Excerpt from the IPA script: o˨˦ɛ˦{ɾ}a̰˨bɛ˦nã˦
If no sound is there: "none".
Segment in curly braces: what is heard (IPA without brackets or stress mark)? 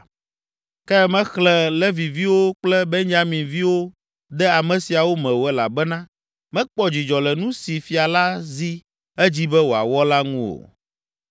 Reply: l